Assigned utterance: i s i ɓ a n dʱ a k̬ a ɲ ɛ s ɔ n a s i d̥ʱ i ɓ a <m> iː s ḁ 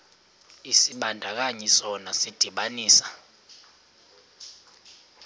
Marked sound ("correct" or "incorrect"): incorrect